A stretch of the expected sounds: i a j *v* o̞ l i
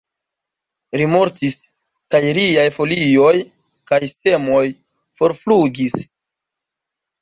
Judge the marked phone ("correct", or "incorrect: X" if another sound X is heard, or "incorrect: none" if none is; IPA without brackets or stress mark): incorrect: f